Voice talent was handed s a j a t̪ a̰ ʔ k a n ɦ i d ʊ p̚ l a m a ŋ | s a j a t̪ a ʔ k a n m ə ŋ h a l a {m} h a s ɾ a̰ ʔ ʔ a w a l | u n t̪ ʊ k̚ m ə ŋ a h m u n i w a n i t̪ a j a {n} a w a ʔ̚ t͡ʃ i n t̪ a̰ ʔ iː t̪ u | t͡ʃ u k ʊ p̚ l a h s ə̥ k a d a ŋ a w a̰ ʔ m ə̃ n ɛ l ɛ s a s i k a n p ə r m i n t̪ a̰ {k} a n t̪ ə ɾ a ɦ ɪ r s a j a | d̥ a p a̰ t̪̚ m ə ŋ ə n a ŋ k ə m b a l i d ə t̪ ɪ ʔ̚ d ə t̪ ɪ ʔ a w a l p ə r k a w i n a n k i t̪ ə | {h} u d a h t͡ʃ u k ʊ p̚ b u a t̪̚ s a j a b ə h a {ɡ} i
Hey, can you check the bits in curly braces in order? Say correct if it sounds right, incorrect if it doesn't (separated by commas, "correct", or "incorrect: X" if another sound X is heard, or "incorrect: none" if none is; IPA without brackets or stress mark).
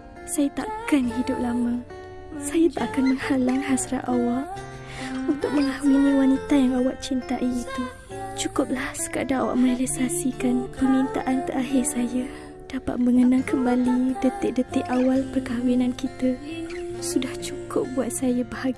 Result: incorrect: ŋ, incorrect: ŋ, incorrect: ʔ, incorrect: s, correct